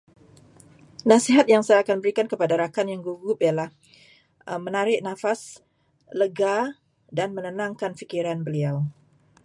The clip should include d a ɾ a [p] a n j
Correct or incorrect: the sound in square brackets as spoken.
incorrect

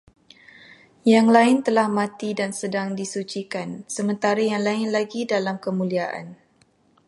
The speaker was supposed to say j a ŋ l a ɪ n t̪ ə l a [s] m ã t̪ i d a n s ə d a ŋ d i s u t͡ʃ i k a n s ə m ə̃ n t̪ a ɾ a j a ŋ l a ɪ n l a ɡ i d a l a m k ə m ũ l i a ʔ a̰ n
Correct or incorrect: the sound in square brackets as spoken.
incorrect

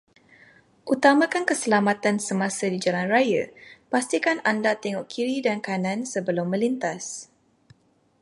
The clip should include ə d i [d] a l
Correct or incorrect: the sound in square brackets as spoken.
incorrect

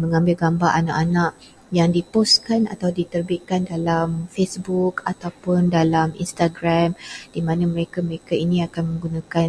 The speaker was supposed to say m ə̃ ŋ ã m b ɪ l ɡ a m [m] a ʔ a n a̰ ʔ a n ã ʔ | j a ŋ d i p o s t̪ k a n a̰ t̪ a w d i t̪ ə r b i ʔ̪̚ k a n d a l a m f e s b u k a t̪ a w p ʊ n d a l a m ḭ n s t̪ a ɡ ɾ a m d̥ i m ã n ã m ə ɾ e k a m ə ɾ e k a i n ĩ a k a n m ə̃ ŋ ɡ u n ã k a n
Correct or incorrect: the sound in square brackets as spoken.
incorrect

